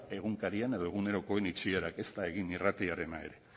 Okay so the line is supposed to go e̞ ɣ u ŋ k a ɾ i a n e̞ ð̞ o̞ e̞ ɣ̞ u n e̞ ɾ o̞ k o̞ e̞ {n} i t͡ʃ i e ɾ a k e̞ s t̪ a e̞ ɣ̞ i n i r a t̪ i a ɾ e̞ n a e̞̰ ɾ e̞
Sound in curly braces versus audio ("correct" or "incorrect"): correct